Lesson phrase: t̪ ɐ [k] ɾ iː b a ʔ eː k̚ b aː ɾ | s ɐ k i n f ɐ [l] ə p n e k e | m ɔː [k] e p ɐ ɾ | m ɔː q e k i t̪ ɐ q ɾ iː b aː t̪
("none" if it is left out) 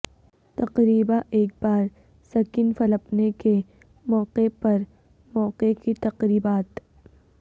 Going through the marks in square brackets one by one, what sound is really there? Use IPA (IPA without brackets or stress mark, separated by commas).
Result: q, l, q